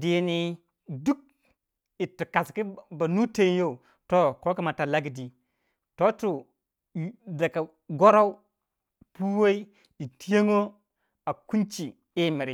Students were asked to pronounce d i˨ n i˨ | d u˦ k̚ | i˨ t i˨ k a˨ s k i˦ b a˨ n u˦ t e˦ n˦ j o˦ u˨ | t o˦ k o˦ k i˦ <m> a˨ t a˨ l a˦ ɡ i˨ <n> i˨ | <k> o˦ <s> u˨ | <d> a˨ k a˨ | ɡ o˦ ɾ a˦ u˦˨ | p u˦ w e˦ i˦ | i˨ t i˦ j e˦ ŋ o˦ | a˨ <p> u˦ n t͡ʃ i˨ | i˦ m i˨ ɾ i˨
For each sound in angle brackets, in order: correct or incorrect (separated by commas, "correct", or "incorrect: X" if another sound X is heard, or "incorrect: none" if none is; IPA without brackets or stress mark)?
correct, incorrect: d, incorrect: t, incorrect: t, correct, incorrect: k